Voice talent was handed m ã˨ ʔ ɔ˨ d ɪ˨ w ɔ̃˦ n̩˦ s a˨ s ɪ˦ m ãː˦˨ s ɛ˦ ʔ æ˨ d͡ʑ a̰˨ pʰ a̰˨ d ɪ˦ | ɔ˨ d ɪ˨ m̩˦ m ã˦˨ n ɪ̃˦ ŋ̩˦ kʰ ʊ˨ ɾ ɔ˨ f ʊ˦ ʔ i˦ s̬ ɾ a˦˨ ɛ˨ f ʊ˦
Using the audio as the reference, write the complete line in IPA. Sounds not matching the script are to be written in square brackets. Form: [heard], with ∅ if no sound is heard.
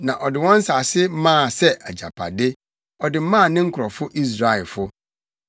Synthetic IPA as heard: [n] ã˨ ʔ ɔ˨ d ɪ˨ w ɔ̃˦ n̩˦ s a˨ s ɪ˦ m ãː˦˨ s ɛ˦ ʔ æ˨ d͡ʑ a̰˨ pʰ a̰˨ d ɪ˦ | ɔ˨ d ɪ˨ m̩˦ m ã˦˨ n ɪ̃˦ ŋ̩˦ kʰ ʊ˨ ɾ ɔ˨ f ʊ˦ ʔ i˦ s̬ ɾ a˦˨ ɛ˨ f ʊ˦

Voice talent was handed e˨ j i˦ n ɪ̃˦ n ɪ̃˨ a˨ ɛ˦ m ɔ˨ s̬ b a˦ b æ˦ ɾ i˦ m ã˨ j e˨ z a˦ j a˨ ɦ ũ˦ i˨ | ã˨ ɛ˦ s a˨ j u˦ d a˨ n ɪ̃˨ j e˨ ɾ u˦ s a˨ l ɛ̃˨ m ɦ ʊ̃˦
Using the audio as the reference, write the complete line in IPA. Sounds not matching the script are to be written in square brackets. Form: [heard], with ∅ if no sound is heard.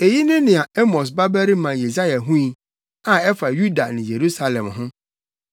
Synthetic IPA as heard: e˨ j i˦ n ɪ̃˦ n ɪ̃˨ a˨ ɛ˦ m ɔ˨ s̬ b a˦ b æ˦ ɾ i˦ m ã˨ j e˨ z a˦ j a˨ ɦ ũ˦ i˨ | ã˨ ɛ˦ [f] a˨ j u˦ d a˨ n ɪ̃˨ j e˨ ɾ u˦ s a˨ l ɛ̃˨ m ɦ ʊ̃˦

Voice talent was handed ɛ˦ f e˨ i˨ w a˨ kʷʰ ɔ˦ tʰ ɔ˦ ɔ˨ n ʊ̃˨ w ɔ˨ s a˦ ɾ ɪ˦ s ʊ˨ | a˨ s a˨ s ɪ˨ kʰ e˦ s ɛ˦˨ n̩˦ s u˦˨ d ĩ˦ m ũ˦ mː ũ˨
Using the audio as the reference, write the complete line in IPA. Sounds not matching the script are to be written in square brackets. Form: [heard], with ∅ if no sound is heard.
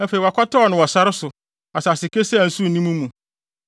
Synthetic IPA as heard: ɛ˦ f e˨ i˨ w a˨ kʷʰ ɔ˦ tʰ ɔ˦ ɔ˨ n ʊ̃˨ w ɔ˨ s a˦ ɾ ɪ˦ s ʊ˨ | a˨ s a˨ s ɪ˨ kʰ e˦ s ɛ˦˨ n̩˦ s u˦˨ [n] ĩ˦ m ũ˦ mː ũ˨

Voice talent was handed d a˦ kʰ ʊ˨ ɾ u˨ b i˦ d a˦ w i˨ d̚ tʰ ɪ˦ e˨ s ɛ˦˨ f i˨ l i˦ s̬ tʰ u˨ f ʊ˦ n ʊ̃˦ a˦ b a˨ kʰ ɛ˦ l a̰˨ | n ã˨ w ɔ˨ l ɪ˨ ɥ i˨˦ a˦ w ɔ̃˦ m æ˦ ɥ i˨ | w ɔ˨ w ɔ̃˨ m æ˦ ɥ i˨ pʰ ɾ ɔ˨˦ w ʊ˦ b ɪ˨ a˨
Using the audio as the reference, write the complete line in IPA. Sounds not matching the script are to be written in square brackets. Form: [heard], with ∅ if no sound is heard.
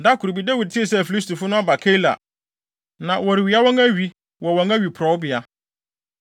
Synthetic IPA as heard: d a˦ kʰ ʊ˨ ɾ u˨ b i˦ d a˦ w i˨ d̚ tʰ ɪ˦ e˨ s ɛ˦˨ f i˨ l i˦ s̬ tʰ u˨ f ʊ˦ n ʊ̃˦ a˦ b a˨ kʰ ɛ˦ l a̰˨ | n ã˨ w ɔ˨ [ɾ] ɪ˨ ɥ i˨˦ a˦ w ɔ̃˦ [ŋ] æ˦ ɥ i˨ | w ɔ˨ w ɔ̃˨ [ŋ] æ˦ ɥ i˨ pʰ ɾ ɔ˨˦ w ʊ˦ b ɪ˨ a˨

